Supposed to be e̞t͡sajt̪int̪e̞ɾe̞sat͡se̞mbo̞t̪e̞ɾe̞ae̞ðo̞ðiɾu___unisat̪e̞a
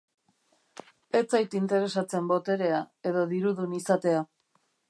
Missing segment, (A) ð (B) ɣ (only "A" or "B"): A